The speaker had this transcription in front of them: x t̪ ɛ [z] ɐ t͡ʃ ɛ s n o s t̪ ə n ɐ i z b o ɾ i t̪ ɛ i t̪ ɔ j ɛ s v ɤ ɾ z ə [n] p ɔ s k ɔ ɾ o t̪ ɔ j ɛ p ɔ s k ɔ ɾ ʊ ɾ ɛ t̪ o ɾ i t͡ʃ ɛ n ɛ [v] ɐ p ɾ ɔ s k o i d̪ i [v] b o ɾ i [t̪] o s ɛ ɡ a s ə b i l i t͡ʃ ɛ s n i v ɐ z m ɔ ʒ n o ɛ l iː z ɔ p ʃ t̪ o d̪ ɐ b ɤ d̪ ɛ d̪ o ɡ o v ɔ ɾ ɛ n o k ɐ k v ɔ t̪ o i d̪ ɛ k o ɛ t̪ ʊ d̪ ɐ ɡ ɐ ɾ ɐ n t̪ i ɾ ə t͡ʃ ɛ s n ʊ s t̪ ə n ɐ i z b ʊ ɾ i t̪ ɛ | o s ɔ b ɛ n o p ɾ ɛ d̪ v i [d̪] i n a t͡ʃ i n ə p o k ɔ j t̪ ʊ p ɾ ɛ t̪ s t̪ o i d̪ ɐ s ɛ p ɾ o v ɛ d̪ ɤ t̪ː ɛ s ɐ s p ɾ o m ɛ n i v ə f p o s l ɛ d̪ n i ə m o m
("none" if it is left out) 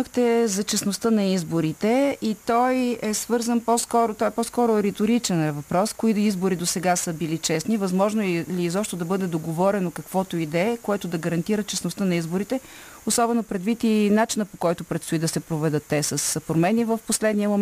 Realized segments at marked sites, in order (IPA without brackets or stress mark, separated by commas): z, n, v, z, d̪, t̪